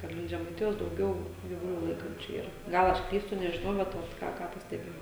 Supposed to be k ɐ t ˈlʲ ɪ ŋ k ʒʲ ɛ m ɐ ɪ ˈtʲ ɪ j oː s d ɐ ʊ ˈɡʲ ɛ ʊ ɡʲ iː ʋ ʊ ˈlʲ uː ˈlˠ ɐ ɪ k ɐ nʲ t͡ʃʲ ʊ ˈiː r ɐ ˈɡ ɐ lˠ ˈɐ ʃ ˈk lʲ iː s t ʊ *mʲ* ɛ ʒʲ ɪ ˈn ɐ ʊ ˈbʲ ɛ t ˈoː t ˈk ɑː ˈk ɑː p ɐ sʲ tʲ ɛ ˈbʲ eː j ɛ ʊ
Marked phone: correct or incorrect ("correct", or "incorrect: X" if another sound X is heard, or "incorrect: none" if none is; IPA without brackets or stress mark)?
incorrect: nʲ